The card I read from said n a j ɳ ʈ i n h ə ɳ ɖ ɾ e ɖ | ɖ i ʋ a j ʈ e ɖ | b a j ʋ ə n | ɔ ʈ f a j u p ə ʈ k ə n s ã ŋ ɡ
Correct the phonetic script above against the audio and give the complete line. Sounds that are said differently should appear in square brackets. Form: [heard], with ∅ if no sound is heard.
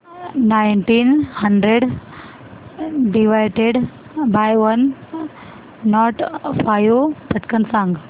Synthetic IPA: n a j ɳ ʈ i n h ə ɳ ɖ ɾ e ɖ | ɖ i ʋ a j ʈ e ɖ | b a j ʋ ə n | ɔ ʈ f a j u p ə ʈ k ə n s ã ŋ ɡ